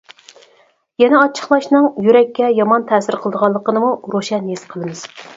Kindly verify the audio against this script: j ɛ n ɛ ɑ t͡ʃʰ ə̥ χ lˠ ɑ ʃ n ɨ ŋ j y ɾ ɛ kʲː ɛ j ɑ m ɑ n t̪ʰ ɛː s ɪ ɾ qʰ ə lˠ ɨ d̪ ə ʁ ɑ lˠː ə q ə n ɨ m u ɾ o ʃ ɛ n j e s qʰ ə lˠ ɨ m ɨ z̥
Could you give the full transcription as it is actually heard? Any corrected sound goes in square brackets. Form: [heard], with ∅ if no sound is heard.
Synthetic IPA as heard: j ɛ n ɛ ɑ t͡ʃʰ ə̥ χ lˠ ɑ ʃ n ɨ ŋ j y ɾ ɛ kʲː ɛ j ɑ m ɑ n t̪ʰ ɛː s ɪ ɾ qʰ ə lˠ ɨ d̪ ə ʁ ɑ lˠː ə q ə n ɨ m u ɾ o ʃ ɛ n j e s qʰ ə lˠ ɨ m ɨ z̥